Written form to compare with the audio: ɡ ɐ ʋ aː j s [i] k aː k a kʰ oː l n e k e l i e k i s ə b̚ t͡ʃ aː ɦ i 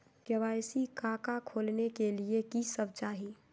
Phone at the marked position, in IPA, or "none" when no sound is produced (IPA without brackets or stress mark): i